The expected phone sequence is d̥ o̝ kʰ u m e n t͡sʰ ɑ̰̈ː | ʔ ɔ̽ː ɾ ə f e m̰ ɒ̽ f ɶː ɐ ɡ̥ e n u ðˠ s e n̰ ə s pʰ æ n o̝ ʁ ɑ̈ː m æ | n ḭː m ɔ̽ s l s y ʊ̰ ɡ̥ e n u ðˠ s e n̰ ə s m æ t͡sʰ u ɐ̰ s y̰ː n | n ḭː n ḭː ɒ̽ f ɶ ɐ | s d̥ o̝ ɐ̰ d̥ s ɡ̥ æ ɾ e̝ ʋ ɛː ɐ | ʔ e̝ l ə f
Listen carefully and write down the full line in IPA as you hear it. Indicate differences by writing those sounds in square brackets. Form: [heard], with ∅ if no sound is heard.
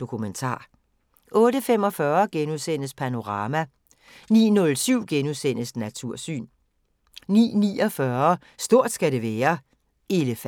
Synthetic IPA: d̥ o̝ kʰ u m e n t͡sʰ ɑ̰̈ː | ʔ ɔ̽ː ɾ ə f e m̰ ɒ̽ f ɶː ɐ ɡ̥ e n u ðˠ s e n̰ ə s pʰ æ n o̝ ʁ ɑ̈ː m æ | n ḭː [n] ɔ̽ [∅] l s y ʊ̰ ɡ̥ e n u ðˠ s e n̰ ə s [n] æ t͡sʰ u ɐ̰ s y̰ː n | n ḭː n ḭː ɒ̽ f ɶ ɐ | s d̥ o̝ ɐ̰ d̥ s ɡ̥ æ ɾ e̝ ʋ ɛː ɐ | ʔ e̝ l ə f